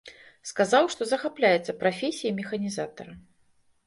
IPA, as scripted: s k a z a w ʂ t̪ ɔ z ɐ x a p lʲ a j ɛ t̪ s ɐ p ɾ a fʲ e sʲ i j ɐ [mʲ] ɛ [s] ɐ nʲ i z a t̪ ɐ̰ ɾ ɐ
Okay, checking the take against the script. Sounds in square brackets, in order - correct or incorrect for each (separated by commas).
correct, incorrect